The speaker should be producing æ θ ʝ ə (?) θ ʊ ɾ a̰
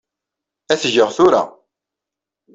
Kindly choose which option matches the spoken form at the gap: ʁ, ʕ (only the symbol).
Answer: ʁ